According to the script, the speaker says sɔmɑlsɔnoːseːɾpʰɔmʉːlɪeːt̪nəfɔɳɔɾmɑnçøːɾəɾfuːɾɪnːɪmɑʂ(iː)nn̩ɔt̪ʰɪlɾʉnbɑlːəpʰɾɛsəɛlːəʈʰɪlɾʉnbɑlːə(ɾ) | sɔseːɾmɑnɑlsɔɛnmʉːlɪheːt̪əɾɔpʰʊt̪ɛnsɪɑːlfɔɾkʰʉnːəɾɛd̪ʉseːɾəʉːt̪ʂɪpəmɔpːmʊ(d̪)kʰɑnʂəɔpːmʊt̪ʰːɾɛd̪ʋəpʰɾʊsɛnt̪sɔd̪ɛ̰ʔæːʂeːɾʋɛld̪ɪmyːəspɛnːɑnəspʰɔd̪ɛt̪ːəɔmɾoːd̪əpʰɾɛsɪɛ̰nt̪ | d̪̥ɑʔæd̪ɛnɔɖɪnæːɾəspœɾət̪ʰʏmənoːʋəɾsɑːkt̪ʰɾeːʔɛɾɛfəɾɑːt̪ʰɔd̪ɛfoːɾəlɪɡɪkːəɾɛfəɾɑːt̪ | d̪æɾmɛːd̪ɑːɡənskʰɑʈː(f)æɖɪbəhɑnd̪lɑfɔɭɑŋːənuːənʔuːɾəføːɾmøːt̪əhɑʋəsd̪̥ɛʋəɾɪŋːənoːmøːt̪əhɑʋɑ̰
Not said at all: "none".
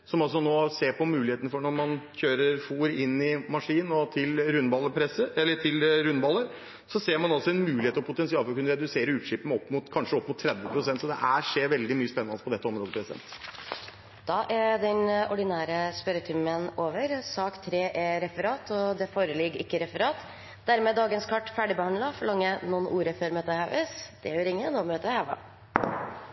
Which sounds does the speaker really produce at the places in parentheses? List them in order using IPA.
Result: iː, ɾ, t̪, f

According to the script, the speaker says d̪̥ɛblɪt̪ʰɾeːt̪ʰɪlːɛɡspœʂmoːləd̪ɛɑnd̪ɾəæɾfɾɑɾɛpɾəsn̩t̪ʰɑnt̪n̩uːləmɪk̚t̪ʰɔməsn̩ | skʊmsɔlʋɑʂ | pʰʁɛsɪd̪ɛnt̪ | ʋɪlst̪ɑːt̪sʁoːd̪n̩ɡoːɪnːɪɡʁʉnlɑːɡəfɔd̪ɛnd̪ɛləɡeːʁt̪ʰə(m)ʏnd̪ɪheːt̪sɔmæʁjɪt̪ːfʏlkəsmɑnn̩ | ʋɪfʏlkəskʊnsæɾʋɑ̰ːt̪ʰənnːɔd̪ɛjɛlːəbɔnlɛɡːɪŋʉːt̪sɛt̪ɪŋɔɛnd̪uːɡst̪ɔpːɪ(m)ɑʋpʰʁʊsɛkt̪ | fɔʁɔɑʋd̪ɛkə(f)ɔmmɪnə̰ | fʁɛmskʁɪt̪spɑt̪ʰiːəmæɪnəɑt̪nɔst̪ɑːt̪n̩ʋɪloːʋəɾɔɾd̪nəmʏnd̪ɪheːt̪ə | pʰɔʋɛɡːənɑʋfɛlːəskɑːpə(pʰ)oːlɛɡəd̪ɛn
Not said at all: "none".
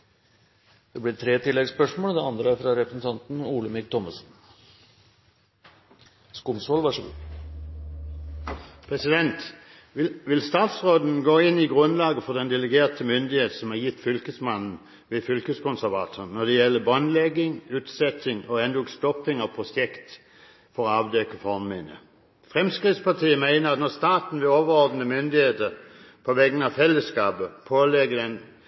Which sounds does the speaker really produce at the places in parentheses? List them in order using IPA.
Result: m, ŋ, f, pʰ

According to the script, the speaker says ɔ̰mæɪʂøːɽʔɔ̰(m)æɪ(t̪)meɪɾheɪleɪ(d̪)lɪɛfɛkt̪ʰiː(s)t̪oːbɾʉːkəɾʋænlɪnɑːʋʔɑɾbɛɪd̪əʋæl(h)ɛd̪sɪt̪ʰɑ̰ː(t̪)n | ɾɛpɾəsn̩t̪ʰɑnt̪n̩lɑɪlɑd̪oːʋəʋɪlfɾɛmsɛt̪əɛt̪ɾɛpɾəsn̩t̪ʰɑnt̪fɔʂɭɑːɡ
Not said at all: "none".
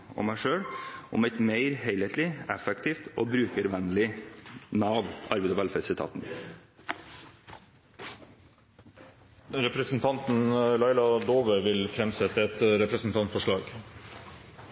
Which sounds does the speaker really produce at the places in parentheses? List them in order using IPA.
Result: m, t̪, t̪, f, f, t̪

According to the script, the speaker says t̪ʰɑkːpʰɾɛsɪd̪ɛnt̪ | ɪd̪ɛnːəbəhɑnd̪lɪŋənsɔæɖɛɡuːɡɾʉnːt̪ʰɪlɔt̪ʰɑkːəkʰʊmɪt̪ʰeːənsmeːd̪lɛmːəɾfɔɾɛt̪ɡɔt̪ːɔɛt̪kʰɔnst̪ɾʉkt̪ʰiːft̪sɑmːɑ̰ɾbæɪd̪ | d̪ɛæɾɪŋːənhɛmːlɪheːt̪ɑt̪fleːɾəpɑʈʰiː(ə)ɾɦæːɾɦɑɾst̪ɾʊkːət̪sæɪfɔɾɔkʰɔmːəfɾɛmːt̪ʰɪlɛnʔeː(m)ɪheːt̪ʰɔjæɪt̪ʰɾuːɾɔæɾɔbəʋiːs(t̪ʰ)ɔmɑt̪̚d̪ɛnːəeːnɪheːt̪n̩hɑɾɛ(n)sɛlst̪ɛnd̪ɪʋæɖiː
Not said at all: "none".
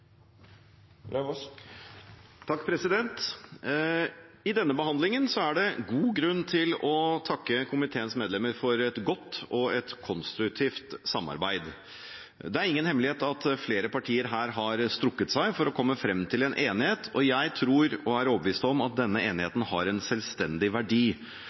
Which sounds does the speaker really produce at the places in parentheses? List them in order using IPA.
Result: ə, n, t̪, n

